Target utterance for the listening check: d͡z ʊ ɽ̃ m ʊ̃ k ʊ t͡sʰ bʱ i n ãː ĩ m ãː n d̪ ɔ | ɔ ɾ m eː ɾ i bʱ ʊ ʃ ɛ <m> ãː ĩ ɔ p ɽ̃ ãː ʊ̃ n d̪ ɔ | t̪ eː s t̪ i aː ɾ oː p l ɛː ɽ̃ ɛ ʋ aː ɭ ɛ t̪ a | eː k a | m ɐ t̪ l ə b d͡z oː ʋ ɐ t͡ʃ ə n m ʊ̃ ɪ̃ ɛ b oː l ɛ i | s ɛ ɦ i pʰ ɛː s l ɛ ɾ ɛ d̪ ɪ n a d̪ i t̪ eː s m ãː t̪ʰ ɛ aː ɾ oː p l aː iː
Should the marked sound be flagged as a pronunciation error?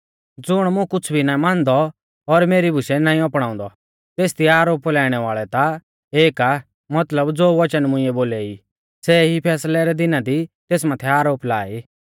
yes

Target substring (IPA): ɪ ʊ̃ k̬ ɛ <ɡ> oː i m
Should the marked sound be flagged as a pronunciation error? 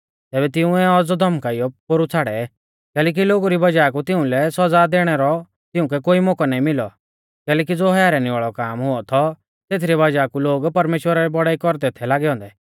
yes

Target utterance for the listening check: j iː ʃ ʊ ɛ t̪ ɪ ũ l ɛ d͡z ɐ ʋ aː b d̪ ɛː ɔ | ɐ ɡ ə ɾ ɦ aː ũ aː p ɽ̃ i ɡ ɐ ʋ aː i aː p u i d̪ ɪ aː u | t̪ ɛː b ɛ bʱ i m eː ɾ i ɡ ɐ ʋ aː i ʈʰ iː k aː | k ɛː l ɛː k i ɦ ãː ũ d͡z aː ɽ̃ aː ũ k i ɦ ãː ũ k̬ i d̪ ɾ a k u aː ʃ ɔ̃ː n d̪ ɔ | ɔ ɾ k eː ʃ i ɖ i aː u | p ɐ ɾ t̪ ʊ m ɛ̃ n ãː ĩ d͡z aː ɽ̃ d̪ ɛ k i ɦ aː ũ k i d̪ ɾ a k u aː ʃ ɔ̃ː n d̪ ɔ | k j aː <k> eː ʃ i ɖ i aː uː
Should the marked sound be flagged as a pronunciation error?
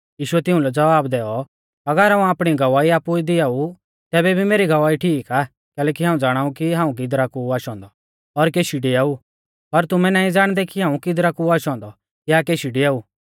no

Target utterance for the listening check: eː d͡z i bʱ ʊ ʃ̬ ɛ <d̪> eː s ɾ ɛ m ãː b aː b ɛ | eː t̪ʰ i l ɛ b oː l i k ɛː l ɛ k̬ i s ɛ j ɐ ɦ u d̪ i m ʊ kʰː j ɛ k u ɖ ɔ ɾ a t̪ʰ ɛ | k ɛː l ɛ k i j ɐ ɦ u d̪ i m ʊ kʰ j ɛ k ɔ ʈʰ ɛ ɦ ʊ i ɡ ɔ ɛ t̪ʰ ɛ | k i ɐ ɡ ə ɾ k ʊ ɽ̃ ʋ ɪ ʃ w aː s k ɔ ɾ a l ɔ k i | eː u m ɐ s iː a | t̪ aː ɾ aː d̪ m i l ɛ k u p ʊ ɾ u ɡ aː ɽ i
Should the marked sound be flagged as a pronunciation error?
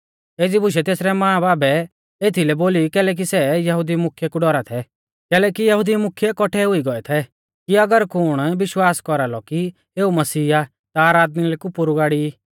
yes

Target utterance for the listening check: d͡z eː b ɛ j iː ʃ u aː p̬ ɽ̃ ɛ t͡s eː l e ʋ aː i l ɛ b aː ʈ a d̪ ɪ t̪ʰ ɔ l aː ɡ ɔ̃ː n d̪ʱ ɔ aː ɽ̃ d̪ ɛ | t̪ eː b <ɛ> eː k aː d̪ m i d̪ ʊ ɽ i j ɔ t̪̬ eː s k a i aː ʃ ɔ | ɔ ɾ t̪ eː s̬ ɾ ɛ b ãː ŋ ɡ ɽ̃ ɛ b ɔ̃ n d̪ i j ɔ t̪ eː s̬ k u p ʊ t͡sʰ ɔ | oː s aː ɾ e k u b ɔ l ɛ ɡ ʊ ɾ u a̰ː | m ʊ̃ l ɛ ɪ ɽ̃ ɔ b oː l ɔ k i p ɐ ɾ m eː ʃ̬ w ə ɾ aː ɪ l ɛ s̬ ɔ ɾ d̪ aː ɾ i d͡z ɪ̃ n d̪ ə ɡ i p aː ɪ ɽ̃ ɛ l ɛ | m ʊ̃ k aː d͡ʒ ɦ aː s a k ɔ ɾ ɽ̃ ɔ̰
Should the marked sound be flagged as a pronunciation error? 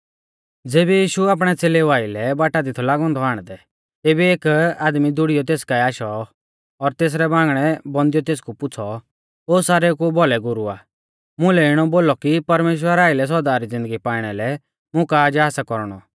yes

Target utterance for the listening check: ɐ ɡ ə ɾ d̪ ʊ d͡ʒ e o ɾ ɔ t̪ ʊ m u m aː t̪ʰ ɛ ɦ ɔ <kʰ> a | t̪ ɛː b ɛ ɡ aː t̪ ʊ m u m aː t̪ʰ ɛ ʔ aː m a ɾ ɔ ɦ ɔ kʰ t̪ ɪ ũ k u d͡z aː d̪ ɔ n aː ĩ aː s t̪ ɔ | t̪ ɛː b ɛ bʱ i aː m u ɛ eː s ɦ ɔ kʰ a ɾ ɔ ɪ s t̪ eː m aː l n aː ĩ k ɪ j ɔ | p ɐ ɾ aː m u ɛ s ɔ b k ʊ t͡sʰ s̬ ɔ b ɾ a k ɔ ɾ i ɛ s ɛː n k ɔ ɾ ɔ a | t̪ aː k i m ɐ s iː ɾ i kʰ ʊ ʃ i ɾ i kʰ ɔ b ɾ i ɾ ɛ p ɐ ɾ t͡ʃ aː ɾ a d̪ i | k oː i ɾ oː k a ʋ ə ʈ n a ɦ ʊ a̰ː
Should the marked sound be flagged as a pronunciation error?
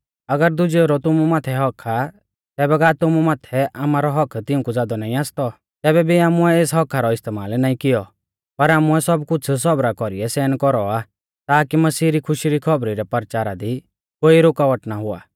no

